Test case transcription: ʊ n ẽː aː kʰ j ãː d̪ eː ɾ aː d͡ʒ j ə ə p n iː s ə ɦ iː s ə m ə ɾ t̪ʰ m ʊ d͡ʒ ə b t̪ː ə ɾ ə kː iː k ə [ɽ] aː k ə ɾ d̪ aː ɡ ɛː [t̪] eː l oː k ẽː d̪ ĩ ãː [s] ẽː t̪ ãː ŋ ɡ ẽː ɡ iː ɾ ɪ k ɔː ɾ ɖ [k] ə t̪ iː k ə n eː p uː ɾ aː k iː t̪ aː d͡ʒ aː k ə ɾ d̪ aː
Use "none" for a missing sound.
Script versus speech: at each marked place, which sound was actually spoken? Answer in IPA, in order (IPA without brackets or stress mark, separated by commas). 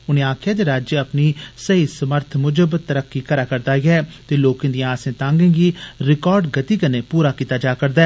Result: ɾ, t̪, s, ɡ